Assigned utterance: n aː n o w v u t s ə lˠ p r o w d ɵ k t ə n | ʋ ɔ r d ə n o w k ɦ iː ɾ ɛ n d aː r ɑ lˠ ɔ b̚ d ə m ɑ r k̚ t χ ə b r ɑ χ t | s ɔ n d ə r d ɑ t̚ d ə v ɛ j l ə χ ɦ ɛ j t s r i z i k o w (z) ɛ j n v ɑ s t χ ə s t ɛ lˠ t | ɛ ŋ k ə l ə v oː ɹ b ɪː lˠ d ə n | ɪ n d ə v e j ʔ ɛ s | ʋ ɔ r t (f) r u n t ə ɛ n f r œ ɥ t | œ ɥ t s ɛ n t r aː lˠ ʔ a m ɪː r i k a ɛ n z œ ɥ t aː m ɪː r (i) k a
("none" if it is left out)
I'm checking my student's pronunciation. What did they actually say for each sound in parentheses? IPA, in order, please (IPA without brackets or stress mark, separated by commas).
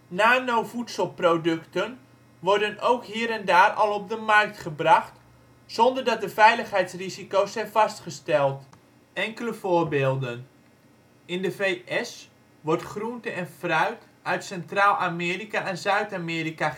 s, χ, i